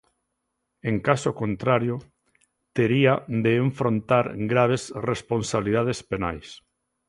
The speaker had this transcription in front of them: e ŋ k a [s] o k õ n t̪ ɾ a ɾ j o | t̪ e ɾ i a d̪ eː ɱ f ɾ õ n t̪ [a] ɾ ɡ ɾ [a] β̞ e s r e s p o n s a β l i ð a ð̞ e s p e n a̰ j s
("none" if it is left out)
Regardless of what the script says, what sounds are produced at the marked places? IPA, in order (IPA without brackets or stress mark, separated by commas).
s, a, a